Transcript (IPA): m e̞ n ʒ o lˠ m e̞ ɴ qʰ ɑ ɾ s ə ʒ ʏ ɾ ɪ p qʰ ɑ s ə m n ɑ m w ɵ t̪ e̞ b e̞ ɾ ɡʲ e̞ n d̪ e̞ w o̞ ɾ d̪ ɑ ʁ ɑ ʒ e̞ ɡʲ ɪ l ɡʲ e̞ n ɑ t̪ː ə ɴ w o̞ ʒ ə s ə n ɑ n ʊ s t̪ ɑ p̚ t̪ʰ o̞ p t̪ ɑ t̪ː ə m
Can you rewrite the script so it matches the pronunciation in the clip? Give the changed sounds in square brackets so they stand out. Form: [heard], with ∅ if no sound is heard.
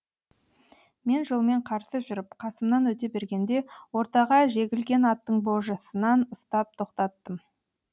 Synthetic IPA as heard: m e̞ n ʒ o lˠ m e̞ ɴ qʰ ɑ ɾ s ə ʒ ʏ ɾ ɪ p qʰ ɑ s ə m n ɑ [n] w ɵ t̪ e̞ b e̞ ɾ ɡʲ e̞ n d̪ e̞ w o̞ ɾ [t̪] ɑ ʁ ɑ ʒ e̞ ɡʲ ɪ l ɡʲ e̞ n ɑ t̪ː ə ɴ [b] o̞ ʒ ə s ə n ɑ n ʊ s t̪ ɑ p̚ t̪ʰ o̞ [q] t̪ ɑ t̪ː ə m